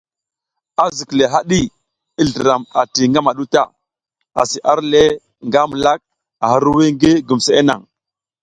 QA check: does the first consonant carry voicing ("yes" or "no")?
yes